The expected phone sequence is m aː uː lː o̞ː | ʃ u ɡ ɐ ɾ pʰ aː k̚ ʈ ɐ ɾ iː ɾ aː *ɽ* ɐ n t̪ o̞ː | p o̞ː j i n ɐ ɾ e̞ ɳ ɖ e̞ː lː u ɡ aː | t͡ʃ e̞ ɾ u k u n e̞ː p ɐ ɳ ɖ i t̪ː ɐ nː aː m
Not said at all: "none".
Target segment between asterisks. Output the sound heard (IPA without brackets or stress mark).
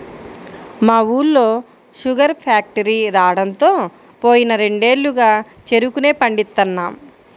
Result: ɽ